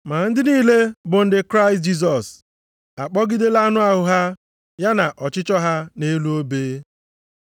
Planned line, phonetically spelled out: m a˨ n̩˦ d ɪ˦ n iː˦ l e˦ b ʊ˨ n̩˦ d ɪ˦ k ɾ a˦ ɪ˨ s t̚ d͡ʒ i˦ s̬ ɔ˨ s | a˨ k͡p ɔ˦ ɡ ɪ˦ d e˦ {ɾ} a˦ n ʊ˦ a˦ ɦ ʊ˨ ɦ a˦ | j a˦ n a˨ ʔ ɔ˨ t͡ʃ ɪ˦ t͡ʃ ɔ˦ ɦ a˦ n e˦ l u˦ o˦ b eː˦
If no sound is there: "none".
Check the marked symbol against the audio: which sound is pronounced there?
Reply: l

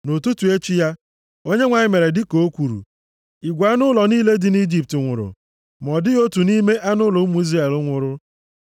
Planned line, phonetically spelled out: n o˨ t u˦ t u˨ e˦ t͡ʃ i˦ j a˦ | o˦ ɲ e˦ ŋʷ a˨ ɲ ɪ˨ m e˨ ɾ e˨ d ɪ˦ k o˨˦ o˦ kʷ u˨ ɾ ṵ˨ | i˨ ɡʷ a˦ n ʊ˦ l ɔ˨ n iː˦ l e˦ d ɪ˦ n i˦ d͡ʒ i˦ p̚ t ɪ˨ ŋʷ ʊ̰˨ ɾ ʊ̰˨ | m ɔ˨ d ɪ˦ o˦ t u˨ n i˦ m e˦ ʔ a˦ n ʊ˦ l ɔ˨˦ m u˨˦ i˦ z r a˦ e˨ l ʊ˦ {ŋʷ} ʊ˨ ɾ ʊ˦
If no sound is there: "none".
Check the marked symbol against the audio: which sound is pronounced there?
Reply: ŋʷ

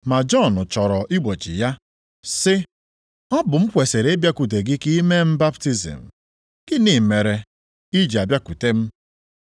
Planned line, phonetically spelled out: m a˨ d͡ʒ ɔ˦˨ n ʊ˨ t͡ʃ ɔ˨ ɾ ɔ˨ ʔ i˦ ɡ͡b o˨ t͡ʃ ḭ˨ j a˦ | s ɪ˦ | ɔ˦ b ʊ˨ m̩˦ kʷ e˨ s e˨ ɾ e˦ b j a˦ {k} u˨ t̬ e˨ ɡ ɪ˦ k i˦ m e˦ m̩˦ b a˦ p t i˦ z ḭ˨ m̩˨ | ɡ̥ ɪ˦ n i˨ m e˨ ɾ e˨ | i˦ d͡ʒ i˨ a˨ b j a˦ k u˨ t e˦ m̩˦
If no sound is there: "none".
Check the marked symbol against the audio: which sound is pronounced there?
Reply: k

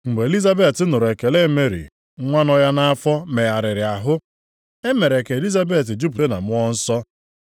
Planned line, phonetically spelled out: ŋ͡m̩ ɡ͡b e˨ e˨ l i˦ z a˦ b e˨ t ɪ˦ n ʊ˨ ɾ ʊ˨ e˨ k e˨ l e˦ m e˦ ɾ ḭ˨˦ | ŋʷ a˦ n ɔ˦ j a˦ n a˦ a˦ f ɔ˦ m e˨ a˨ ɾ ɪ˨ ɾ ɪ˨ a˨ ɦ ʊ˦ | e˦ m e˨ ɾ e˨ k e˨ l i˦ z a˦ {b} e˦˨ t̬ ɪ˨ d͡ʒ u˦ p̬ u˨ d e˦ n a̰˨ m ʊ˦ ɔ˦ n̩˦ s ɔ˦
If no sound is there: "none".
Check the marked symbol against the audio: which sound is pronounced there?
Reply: b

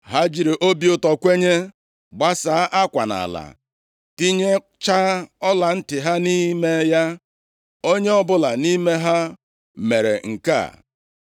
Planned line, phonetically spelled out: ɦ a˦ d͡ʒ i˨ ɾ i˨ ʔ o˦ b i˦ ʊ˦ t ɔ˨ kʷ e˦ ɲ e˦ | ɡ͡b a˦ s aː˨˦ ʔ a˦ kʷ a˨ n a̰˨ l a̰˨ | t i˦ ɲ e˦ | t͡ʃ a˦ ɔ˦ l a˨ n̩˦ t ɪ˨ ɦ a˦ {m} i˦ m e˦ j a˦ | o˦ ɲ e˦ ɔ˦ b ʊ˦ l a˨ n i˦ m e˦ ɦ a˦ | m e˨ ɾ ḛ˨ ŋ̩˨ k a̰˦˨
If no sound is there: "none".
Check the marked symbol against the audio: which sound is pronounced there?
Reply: n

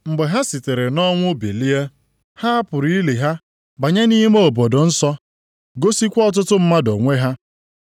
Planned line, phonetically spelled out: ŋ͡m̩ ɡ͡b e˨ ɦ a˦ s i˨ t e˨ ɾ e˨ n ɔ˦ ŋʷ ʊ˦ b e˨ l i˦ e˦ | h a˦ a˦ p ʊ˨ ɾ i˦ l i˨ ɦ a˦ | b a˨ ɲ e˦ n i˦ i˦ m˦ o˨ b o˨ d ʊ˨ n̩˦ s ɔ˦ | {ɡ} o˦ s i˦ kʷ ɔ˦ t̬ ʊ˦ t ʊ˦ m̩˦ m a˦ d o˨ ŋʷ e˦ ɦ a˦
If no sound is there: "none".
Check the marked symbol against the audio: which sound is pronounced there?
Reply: ɡ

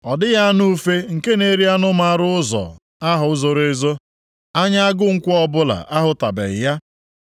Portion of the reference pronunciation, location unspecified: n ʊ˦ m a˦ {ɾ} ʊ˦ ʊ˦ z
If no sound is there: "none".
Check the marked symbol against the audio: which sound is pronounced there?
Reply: ɾ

